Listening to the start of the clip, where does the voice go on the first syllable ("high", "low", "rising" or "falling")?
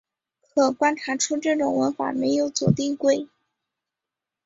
low